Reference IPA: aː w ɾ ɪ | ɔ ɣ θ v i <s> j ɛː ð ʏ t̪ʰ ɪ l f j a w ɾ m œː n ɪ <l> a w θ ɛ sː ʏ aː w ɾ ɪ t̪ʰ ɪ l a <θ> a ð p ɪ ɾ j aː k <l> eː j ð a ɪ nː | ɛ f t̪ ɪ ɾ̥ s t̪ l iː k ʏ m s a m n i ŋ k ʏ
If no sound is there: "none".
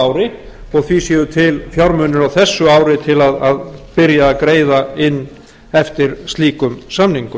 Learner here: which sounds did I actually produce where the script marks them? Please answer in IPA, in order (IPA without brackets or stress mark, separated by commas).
s, ɾ, ð, ɾ